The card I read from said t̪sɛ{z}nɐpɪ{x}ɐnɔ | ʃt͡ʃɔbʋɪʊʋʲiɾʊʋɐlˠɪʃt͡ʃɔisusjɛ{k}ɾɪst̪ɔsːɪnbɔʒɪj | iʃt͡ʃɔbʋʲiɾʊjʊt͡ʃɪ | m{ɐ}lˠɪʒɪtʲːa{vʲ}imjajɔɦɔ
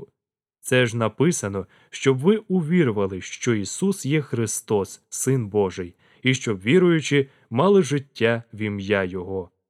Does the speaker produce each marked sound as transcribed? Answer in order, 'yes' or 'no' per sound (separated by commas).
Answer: no, no, no, no, no